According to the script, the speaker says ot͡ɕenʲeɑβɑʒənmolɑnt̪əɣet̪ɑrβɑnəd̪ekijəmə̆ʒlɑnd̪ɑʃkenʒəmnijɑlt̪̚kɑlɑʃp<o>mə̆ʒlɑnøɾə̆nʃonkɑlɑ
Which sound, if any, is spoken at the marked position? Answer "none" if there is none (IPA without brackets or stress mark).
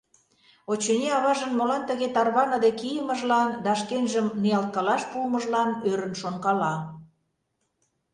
u